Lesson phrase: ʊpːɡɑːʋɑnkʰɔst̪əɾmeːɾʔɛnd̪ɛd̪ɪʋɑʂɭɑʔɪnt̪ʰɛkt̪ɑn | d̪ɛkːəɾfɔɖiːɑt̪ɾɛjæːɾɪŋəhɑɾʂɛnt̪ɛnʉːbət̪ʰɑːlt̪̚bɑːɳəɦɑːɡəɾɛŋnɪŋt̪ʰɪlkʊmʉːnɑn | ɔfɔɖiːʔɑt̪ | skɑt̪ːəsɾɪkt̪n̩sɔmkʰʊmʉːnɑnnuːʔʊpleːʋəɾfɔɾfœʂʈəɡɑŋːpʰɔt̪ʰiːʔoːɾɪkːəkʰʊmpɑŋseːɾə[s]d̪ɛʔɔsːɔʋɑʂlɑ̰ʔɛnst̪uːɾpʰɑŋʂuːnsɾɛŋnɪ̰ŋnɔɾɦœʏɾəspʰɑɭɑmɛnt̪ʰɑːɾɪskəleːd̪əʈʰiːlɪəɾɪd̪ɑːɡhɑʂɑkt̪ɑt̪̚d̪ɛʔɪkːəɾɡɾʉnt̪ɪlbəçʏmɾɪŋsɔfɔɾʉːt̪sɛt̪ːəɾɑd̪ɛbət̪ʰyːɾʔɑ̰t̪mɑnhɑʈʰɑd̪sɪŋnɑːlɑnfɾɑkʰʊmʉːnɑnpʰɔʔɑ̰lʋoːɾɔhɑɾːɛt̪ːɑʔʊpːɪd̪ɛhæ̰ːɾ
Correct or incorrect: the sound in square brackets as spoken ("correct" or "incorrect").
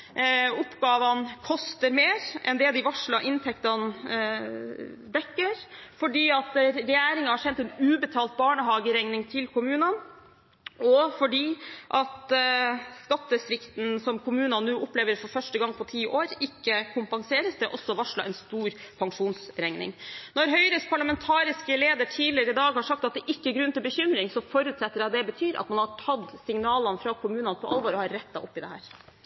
correct